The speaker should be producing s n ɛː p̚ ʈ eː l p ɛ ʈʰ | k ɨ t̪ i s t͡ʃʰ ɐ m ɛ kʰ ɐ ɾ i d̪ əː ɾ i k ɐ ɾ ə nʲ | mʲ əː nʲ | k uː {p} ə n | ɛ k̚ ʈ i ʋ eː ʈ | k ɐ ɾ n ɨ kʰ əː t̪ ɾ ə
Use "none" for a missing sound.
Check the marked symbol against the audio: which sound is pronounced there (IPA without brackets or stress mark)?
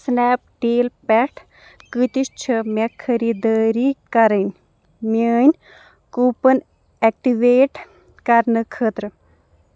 p